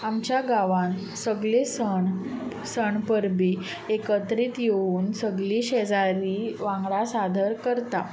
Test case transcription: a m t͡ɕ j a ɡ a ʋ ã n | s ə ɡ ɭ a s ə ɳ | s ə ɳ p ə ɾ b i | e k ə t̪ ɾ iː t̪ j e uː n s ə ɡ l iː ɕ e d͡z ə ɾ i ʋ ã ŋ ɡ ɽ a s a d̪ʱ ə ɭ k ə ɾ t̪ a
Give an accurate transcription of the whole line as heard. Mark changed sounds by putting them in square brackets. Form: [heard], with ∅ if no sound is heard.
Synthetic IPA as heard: a m t͡ɕ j a ɡ a ʋ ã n | s ə ɡ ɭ [e] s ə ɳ | s ə ɳ p ə ɾ b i | e k ə t̪ ɾ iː t̪ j e uː n s ə ɡ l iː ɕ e d͡z [a] ɾ i ʋ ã ŋ ɡ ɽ a s a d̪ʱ ə [ɾ] k ə ɾ t̪ a